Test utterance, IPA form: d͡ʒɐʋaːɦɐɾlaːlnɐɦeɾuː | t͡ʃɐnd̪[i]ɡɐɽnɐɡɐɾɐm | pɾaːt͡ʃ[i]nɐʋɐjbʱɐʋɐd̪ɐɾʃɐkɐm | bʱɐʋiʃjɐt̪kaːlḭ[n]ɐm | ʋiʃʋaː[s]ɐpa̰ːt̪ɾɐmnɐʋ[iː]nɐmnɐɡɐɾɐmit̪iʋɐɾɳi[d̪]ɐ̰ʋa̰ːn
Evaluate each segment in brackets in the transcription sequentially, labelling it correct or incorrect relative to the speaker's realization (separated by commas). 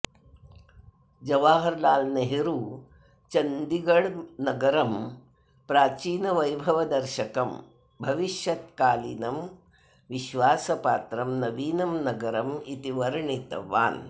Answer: correct, incorrect, correct, correct, correct, incorrect